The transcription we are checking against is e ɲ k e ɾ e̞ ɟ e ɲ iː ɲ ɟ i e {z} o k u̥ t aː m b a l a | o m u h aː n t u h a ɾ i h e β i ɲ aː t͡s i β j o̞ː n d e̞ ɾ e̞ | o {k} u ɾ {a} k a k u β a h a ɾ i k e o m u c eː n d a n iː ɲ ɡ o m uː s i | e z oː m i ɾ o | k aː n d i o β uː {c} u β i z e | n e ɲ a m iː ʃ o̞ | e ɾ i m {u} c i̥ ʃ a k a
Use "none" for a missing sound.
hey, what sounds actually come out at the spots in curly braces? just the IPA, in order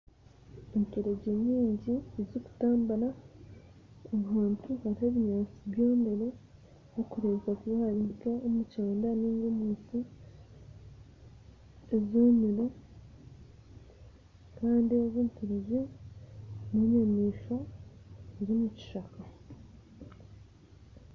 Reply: z, k, e, t, u

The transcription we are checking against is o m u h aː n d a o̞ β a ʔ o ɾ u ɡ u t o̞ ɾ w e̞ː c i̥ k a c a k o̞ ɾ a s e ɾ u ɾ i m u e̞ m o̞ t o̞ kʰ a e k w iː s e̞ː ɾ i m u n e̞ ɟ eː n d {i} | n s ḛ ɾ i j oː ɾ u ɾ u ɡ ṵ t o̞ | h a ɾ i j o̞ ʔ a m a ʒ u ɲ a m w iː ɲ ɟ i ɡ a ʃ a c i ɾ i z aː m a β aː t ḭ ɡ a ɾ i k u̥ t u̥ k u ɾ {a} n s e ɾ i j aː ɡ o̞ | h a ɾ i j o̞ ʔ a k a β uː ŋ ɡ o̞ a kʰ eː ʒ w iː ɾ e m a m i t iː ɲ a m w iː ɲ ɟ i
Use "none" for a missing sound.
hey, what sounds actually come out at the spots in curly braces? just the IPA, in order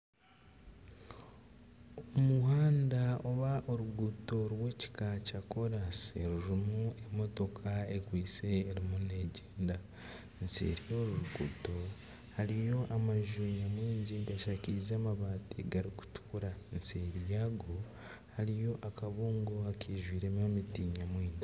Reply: a, a

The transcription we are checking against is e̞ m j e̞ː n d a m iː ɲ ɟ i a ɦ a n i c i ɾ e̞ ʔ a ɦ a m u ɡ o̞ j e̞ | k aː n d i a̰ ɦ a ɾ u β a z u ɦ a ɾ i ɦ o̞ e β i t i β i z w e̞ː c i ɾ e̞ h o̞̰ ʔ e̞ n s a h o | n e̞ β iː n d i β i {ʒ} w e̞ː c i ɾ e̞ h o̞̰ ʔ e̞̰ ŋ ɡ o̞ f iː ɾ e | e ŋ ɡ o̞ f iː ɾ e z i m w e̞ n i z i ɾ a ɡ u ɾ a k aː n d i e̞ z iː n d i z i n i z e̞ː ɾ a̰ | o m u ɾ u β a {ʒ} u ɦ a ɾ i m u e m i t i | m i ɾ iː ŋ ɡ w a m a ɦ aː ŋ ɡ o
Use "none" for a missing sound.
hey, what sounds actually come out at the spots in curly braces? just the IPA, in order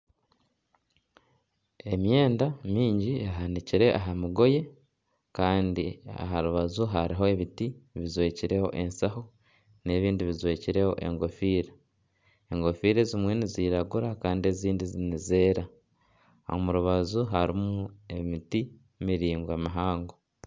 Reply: z, z

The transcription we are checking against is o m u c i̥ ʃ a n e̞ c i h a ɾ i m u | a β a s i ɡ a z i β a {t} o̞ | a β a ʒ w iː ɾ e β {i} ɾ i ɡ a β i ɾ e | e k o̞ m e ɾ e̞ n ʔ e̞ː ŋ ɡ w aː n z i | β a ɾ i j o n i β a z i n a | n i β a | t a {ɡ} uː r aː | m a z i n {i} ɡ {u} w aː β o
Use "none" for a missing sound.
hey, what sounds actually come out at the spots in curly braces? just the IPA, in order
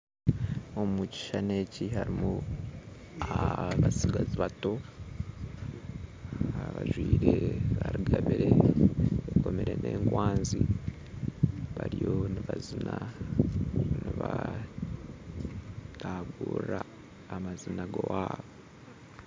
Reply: t, a, ɡ, a, o

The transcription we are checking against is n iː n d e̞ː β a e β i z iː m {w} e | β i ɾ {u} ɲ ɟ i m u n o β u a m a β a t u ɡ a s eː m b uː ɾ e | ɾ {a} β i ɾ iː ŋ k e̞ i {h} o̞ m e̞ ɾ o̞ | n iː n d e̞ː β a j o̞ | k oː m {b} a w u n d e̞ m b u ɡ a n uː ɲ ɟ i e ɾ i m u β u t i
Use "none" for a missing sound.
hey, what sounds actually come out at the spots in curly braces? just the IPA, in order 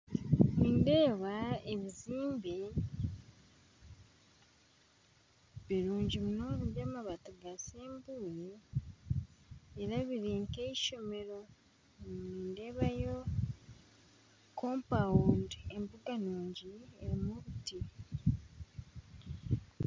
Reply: b, uː, a, ʃ, p

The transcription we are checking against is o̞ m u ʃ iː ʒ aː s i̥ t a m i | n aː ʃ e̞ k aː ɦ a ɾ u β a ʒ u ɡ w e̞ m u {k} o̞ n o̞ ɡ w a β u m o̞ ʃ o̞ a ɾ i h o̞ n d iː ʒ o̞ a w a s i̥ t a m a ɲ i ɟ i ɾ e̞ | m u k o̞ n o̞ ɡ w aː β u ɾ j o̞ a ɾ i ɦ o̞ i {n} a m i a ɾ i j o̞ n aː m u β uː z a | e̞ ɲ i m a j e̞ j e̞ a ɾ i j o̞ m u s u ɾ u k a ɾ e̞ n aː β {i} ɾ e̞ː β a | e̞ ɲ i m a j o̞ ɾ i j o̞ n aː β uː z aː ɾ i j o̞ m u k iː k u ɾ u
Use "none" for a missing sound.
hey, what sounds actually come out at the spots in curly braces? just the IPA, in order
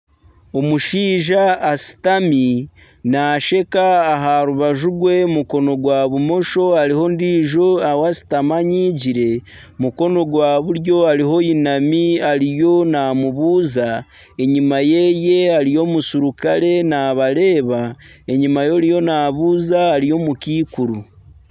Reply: k, n, a

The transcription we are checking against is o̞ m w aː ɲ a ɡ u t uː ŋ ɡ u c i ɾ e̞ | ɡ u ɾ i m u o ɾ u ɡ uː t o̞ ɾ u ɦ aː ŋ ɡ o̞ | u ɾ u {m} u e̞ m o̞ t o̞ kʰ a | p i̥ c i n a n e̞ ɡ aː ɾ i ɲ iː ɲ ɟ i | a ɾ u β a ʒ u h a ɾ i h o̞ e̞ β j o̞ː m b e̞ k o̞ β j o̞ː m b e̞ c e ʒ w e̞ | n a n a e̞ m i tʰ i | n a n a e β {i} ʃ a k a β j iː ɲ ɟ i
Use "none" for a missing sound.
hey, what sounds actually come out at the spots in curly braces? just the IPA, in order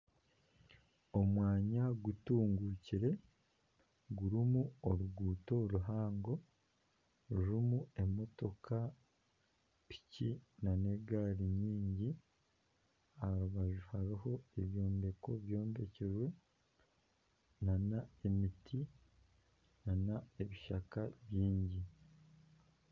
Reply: m, i

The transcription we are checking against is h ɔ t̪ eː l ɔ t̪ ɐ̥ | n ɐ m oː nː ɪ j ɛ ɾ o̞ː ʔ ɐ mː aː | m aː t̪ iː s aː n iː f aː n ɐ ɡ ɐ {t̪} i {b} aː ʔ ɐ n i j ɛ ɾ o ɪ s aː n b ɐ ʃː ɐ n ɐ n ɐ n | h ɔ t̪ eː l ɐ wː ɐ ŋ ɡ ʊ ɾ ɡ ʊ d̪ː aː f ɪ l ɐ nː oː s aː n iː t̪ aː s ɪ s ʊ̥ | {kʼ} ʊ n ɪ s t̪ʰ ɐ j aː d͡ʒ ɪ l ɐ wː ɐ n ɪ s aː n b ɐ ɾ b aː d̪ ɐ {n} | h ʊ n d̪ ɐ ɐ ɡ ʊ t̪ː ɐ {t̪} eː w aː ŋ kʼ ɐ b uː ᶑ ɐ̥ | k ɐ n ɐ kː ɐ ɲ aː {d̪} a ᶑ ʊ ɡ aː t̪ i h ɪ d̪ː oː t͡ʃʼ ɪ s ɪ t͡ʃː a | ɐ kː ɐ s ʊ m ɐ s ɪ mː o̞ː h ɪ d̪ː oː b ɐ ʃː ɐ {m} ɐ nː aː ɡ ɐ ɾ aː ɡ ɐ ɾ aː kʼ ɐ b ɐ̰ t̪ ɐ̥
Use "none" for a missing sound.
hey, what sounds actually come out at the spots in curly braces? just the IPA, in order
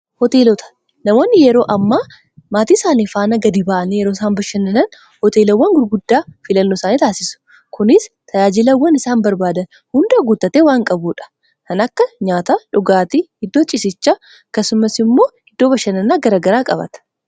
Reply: d̪, b, k, n, t̪, t̪, n

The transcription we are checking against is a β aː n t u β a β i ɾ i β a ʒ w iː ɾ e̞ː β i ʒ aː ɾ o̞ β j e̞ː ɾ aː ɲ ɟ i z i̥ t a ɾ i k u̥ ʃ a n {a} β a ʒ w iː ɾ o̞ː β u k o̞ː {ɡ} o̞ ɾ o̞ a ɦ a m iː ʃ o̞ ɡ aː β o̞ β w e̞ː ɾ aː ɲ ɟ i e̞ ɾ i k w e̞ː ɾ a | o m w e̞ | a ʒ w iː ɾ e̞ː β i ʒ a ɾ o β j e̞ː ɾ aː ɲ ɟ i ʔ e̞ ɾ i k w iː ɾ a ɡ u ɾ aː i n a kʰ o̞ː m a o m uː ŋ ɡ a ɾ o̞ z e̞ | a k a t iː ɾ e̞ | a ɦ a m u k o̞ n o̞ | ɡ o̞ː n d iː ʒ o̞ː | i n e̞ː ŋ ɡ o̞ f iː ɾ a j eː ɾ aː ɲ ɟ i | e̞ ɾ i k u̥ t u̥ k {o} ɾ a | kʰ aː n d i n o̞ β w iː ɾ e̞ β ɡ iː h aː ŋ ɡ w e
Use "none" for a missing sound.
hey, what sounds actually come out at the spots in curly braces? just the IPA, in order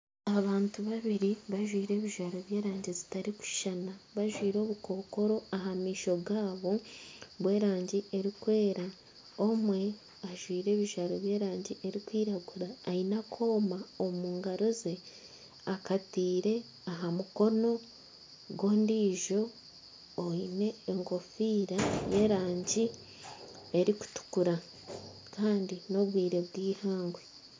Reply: a, k, u

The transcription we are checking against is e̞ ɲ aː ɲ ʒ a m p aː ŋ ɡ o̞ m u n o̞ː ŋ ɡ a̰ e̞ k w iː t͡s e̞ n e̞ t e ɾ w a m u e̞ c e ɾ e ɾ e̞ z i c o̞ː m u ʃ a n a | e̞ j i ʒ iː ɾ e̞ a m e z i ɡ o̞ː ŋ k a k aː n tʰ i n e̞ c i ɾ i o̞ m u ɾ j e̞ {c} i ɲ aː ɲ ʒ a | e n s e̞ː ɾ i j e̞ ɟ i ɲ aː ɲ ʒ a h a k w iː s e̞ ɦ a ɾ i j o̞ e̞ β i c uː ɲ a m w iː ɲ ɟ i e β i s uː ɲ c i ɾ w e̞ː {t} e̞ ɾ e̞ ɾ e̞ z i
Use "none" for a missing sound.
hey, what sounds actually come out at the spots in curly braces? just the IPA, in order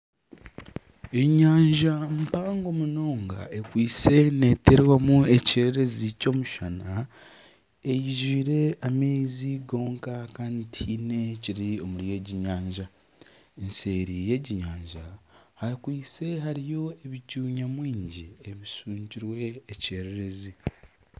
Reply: ɟ, c

